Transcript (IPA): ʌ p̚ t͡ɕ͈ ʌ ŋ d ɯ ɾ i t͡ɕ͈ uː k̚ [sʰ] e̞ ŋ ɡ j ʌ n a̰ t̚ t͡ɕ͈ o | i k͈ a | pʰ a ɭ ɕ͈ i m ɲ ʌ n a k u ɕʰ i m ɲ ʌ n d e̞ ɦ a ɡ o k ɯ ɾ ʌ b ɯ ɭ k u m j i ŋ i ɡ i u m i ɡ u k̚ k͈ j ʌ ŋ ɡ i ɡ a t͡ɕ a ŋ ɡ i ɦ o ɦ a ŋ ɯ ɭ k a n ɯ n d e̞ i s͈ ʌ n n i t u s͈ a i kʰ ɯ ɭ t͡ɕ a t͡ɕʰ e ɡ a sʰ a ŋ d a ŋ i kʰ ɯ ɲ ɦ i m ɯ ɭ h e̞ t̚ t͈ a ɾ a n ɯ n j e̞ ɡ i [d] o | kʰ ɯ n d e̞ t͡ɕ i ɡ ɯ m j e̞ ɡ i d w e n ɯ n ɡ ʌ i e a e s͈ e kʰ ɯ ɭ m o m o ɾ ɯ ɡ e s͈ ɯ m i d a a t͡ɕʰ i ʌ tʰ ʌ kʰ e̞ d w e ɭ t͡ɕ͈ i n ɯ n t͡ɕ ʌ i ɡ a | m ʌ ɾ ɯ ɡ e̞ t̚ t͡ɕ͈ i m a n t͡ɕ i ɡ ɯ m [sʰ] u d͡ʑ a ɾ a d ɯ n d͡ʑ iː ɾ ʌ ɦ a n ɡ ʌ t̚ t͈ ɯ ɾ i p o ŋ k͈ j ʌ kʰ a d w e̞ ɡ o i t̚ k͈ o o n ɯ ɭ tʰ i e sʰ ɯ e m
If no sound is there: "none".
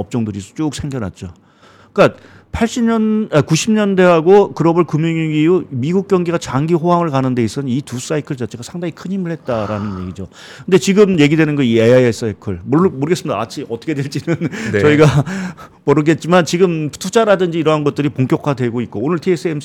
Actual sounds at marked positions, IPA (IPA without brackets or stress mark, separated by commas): sʰ, d͡ʑ, tʰ